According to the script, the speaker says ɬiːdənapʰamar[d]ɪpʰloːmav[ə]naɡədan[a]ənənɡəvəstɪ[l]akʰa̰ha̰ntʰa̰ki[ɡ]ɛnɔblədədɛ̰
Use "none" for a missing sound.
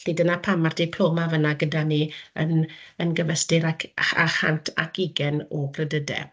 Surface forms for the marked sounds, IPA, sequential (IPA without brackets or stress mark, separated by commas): d, ə, i, ɾ, ɡ